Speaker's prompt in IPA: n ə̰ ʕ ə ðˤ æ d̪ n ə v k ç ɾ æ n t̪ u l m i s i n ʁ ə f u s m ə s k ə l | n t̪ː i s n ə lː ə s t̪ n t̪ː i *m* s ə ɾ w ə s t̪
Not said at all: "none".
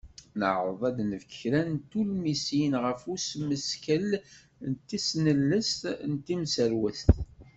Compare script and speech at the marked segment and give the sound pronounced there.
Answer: m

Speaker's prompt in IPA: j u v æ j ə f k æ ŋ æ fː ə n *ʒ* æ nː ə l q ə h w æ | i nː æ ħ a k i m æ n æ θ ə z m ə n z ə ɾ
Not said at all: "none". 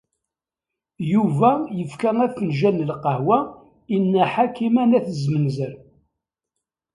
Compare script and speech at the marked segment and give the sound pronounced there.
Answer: ʒ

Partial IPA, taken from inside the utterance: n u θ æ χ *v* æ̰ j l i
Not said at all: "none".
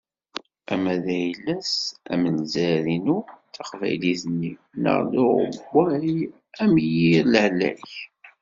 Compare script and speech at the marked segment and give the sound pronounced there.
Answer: v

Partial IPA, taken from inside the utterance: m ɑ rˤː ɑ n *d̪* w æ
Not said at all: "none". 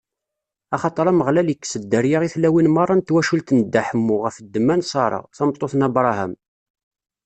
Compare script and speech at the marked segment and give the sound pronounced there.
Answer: t̪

